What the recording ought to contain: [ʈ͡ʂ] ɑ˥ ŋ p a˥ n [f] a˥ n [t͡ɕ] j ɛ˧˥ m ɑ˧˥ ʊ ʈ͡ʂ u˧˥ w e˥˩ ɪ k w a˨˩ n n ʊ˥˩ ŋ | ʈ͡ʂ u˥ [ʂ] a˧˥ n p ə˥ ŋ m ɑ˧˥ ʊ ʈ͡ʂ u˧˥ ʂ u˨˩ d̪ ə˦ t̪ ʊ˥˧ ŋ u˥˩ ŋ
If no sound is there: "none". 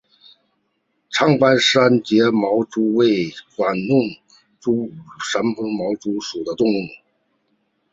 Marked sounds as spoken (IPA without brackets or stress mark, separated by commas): ʈ͡ʂʰ, ʂ, t͡ɕ, ʂ